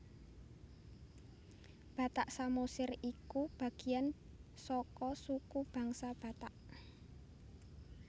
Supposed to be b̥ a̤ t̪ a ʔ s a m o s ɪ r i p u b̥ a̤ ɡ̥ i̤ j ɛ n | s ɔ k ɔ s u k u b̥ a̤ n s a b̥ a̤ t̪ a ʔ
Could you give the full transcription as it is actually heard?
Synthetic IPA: b̥ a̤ t̪ a ʔ s a m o s ɪ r i k u b̥ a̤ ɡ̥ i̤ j a n | s ɔ k ɔ s u k u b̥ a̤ ŋ s a b̥ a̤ t̪ a ʔ

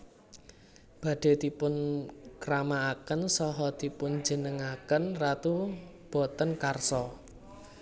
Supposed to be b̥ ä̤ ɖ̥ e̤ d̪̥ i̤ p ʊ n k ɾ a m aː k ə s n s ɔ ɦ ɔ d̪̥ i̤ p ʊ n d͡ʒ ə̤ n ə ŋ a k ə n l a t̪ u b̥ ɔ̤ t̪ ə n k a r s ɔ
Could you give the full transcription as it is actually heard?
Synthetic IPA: b̥ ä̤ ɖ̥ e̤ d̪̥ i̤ p ʊ n k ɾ a m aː k ə n s ɔ ɦ ɔ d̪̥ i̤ p ʊ n d͡ʒ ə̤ n ə ŋ a k ə n r a t̪ u b̥ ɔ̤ t̪ ə n k a r s ɔ

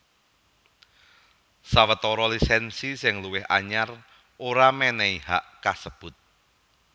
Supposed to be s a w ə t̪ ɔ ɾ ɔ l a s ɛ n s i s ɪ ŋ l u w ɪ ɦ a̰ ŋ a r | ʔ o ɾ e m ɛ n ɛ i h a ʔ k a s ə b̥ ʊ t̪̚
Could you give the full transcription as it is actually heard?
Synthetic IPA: s a w ə t̪ ɔ ɾ ɔ l i s ɛ n s i s ɪ ŋ l u w ɪ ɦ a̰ ɲ a r | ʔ o ɾ a m ɛ n ɛ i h a ʔ k a s ə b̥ ʊ t̪̚

